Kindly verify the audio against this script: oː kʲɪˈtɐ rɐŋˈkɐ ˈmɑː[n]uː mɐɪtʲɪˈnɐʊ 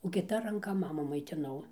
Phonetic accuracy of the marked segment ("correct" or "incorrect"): incorrect